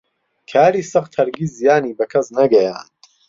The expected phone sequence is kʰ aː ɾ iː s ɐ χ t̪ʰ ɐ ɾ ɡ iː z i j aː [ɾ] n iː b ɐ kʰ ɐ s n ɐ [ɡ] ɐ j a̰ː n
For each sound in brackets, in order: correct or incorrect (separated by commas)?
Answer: incorrect, correct